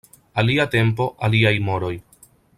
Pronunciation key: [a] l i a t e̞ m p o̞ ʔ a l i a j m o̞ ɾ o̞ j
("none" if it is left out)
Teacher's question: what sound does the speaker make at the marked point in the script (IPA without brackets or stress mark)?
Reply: a